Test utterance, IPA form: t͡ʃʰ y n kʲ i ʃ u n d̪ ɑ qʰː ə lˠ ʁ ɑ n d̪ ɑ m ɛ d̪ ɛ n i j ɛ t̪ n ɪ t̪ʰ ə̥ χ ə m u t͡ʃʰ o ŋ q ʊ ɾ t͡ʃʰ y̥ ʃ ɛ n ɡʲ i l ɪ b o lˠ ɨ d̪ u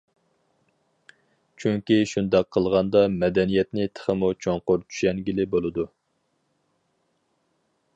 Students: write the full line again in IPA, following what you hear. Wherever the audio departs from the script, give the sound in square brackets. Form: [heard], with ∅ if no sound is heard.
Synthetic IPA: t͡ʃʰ y [ŋ] kʲ i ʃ u n d̪ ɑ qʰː ə lˠ ʁ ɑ n d̪ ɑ m ɛ d̪ ɛ n i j ɛ t̪ n ɪ t̪ʰ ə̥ χ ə m u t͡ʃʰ o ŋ q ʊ ɾ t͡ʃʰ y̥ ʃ ɛ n ɡʲ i l ɪ b o lˠ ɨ d̪ u